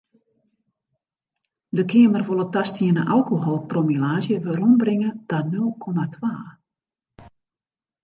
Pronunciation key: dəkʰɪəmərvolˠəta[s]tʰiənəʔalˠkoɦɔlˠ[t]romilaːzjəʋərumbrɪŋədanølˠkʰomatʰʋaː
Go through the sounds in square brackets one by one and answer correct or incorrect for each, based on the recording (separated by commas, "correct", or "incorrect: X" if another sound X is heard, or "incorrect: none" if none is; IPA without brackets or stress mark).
correct, incorrect: p